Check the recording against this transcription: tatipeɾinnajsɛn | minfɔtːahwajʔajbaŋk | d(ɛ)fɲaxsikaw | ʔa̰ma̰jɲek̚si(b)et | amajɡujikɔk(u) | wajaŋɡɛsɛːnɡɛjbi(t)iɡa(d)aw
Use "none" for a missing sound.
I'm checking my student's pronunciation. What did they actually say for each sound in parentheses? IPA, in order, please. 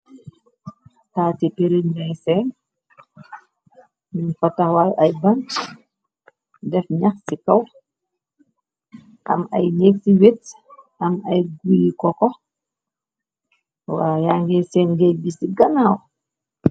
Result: ɛ, w, ɔ, s, n

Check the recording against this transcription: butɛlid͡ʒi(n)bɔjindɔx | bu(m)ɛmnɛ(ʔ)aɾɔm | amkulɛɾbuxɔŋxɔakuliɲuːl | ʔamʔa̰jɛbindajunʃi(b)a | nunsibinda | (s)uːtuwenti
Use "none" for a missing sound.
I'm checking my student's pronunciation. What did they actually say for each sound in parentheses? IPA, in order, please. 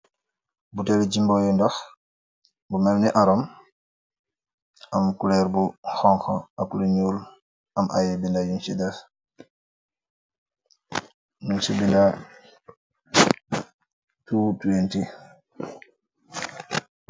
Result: m, m, ʔ, d, t

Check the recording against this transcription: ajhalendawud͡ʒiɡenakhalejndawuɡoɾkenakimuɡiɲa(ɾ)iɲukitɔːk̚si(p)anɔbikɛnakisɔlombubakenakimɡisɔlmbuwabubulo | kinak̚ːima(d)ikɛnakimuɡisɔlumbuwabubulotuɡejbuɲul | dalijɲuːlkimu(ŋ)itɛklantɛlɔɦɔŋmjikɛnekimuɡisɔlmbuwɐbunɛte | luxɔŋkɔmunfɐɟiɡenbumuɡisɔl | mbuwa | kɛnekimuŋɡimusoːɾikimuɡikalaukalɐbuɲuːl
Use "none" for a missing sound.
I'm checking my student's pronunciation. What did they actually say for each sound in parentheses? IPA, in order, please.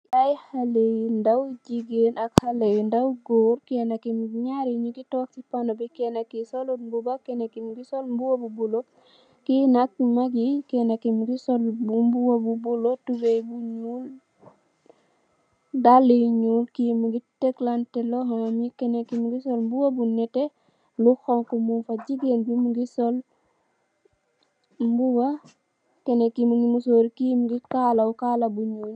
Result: ɾ, p, ɡ, ɡ

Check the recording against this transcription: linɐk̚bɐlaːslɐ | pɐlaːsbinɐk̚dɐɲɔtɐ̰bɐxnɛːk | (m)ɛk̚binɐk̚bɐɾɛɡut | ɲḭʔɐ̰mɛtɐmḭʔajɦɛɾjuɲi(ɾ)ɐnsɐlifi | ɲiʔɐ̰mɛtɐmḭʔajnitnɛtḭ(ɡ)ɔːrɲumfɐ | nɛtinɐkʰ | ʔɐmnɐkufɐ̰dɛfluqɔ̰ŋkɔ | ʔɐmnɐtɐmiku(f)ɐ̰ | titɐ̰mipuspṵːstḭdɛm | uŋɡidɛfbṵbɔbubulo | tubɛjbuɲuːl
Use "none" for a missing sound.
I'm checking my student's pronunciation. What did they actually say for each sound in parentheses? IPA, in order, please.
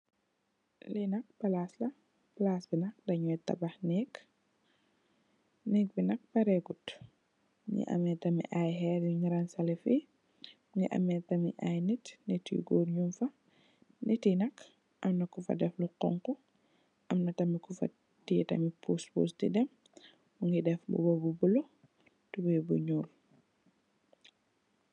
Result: n, ɾ, ɡ, f

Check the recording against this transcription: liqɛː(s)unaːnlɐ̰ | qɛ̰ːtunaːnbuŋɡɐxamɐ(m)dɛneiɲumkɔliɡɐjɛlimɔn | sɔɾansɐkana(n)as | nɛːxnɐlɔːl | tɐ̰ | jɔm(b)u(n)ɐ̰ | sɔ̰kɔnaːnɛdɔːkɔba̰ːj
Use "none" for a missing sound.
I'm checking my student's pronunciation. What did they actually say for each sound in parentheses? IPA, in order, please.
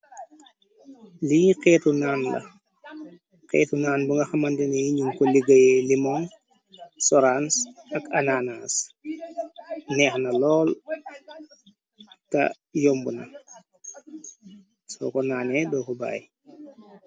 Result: t, n, n, b, n

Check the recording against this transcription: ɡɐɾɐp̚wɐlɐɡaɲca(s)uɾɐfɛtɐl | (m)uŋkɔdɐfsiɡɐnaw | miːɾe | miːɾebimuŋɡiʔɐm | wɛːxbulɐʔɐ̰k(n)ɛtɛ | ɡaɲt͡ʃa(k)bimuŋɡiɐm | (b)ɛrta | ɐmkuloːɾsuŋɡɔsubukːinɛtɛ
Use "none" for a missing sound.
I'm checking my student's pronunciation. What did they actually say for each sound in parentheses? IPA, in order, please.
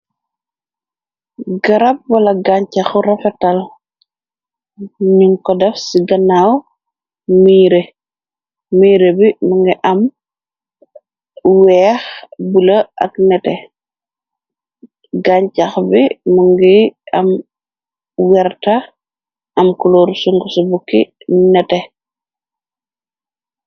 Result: x, ɲ, n, x, w

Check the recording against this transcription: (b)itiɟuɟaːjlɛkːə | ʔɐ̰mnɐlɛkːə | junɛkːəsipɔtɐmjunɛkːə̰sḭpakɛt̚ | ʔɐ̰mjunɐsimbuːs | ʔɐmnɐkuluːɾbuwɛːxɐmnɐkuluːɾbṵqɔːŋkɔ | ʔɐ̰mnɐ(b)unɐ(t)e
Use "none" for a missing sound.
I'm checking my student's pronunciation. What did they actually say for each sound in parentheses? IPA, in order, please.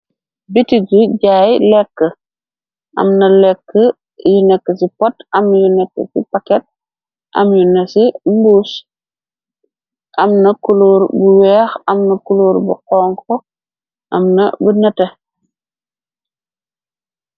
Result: b, b, t

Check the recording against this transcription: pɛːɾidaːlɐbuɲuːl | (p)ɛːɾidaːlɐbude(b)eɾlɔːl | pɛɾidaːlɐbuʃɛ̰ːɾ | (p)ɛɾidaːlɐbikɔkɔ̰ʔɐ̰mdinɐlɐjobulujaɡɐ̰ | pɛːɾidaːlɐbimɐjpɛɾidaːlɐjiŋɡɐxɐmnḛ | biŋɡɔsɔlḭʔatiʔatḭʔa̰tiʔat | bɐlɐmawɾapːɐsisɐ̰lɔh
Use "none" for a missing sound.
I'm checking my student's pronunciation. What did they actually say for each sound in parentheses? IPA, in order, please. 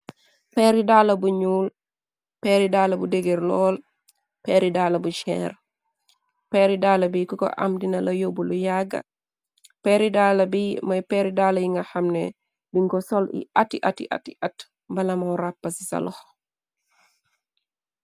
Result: p, ɡ, p

